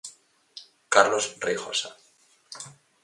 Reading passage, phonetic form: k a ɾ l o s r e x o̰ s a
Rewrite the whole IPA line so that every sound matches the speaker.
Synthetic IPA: k a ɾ l o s r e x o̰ s a